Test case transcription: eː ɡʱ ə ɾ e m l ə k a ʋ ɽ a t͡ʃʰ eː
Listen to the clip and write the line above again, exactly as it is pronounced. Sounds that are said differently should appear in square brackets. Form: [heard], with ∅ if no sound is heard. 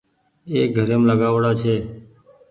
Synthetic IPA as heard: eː ɡʱ ə ɾ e m l ə [ɡ] a ʋ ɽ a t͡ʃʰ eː